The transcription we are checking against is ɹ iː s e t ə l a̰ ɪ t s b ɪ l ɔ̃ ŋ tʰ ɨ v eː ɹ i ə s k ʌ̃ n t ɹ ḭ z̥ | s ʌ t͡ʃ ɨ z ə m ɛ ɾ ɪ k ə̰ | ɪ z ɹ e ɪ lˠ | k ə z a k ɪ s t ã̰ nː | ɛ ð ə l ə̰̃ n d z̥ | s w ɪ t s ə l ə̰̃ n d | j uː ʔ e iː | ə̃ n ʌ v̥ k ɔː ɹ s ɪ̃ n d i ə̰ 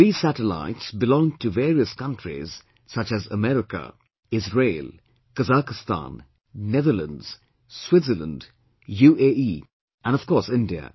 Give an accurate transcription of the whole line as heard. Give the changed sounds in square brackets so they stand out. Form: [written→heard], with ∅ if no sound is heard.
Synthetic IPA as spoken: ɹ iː s [e→æ] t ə l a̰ ɪ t s b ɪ l ɔ̃ ŋ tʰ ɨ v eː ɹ i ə s k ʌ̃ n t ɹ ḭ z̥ | s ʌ t͡ʃ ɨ z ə m ɛ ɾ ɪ k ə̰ | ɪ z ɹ e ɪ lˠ | k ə z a k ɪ s t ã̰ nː | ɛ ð ə l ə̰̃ n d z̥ | s w ɪ t s ə l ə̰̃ n d | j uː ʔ e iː | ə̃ n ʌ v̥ k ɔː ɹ s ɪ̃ n d i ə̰